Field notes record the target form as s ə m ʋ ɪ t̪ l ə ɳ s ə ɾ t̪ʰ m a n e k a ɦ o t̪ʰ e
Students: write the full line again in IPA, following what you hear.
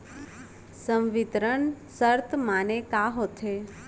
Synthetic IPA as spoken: s ə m ʋ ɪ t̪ ɾ ə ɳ s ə ɾ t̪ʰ m a n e k a ɦ o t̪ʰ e

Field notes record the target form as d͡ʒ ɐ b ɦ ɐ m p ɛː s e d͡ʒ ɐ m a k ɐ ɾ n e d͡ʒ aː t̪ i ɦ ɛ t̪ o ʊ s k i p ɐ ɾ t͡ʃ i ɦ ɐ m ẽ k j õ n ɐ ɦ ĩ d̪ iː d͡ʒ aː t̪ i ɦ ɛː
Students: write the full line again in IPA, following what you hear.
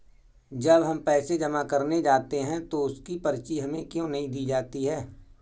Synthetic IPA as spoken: d͡ʒ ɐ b ɦ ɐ m p ɛː s e d͡ʒ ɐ m a k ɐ ɾ n e d͡ʒ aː t̪ e ɦ ɛ̃ t̪ o ʊ s k i p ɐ ɾ t͡ʃ i ɦ ɐ m ẽ k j õ n ɐ ɦ ĩ d̪ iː d͡ʒ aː t̪ i ɦ ɛː

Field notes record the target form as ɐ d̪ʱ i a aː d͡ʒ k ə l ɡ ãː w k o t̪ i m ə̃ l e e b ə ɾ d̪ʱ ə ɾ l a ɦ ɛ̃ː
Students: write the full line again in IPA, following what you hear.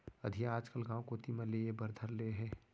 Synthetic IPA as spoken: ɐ d̪ʱ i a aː d͡ʒ k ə l ɡ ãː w k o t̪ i m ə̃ l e e b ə ɾ d̪ʱ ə ɾ l e ɦ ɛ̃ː

